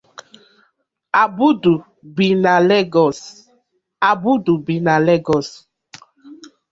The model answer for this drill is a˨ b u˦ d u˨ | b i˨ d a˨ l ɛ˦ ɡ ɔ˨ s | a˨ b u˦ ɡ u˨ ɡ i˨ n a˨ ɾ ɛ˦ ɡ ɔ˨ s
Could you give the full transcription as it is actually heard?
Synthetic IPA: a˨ b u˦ d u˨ | b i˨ n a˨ l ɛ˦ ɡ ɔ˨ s | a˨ b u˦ d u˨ b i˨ n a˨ l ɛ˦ ɡ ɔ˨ s